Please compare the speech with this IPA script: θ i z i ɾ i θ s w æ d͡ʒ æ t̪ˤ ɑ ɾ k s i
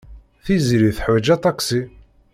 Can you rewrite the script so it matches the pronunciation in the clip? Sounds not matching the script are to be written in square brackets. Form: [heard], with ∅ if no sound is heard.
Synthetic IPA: θ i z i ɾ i θ [ħ] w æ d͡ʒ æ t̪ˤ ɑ [∅] k s i